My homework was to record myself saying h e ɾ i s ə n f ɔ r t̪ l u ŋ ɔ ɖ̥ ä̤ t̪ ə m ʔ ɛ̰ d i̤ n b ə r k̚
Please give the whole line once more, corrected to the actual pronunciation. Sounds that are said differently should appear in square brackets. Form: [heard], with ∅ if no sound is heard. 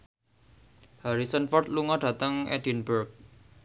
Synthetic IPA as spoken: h [a] ɾ i s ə n f ɔ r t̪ l u ŋ ɔ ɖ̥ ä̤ t̪ ə [ŋ] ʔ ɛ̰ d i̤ n b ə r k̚